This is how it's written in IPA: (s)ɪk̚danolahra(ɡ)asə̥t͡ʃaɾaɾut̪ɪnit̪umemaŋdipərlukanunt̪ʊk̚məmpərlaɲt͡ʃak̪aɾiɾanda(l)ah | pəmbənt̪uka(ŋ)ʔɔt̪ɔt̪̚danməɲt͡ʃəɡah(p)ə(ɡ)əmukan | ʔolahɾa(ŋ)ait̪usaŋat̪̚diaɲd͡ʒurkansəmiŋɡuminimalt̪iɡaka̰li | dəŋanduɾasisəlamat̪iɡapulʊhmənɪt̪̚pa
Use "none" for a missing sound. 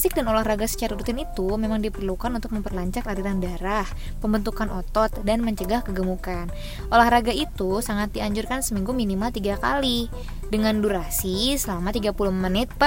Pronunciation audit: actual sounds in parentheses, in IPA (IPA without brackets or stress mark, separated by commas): s, ɡ, ɾ, n, k, ɡ, ɡ